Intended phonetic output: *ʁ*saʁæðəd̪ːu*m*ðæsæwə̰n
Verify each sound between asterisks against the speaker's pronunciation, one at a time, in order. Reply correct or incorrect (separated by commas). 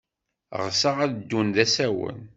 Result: correct, incorrect